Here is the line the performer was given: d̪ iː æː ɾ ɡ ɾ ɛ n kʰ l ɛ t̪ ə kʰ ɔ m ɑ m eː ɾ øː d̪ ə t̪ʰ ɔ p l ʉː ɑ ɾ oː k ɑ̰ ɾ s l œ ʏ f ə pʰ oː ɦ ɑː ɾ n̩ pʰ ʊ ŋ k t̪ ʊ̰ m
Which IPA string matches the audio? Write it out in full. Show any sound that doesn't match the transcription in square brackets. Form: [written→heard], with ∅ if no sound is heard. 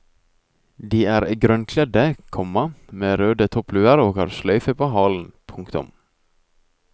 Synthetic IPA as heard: d̪ iː æː ɾ ɡ ɾ [ɛ→œ] n kʰ l ɛ [t̪→d̪] ə kʰ ɔ m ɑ m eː ɾ øː d̪ ə t̪ʰ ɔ p l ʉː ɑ ɾ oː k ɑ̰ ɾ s l œ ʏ f ə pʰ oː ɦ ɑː [ɾ→l] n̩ pʰ ʊ ŋ k t̪ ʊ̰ m